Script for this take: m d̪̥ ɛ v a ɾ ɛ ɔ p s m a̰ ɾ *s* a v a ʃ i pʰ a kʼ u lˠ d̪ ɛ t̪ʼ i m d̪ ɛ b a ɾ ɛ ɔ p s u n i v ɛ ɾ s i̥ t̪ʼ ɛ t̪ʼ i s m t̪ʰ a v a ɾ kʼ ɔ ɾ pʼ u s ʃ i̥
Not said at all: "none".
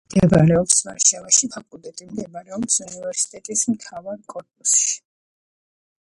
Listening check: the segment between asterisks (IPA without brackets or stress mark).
ʃ